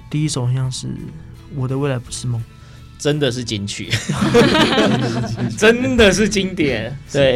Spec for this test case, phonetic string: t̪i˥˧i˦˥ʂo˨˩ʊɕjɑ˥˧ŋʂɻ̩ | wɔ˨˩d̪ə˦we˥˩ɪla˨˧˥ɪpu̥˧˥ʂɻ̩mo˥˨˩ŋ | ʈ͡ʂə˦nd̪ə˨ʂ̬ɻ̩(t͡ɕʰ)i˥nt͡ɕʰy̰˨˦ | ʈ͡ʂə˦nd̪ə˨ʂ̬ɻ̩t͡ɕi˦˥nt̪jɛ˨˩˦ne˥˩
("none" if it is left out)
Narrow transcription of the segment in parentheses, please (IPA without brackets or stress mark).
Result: t͡ɕ